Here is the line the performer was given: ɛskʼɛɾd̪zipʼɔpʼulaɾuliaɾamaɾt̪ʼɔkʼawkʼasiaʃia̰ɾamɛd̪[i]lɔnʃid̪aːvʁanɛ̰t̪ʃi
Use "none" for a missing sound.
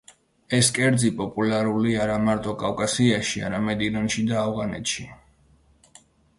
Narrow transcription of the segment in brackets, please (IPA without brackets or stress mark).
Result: i